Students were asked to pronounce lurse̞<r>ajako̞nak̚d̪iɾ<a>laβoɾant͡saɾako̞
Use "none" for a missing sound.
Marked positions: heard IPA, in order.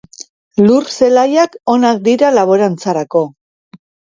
l, a

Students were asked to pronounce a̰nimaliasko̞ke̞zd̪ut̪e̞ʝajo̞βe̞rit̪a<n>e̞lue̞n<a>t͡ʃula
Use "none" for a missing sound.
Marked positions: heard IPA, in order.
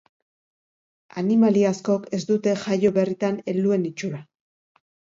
n, i

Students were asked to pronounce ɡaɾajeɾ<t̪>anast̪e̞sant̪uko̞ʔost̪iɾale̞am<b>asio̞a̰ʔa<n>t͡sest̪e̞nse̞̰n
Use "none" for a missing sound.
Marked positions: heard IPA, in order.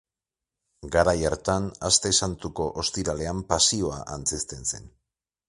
t̪, p, n

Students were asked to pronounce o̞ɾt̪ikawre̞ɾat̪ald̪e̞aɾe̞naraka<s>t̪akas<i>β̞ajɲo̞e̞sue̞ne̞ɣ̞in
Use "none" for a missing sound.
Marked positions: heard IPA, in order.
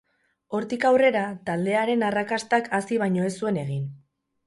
s, i

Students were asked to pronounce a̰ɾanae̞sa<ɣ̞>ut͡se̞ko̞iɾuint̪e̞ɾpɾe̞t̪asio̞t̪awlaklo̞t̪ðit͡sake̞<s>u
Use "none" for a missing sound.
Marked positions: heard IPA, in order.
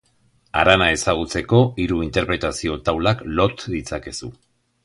ɣ̞, s

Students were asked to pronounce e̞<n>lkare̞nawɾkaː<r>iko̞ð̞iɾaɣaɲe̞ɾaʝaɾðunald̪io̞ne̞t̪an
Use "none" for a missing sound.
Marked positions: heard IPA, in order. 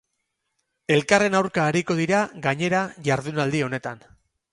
none, ɾ

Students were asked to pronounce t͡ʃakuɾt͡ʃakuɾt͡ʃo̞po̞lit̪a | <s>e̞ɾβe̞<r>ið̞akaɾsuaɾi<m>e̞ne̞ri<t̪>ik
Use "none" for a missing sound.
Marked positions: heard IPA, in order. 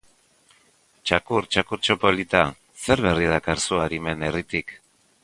s, r, m, t̪

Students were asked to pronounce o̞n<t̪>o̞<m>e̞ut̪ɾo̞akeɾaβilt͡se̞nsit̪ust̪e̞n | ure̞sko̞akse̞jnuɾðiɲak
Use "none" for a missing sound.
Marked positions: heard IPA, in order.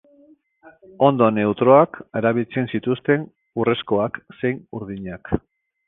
d̪, n

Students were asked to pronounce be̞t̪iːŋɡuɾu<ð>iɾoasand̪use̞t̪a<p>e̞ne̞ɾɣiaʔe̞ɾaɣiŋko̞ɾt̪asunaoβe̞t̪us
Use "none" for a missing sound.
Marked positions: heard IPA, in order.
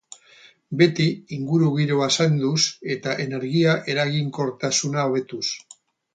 ɣ, ʔ

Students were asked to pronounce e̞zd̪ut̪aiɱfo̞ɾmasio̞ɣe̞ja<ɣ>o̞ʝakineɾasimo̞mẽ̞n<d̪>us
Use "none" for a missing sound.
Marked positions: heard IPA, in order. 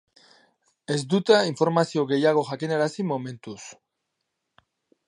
ɣ, t̪

